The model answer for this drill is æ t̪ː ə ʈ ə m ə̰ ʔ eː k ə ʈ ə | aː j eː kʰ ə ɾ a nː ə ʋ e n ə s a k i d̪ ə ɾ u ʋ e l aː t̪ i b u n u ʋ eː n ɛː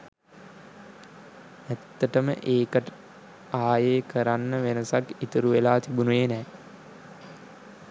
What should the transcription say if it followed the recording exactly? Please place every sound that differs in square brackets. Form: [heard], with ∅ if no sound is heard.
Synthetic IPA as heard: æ t̪ː ə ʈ ə m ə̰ ʔ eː k ə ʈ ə | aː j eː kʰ ə ɾ a nː ə ʋ e n ə s a k i [t̪] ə ɾ u ʋ e l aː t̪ i b u n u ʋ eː n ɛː